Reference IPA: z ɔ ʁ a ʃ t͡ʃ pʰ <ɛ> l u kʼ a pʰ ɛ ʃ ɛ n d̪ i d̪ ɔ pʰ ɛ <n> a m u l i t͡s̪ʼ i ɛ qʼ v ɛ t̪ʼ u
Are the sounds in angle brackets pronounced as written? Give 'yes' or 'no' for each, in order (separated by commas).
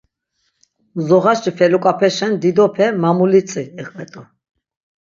yes, no